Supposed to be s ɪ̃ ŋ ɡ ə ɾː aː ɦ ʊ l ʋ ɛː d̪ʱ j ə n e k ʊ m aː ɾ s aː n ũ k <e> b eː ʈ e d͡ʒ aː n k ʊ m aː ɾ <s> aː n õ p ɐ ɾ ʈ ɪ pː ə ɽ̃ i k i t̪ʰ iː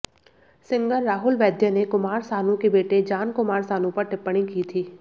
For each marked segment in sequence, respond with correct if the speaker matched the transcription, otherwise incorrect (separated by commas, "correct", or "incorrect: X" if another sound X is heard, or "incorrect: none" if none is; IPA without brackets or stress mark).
correct, correct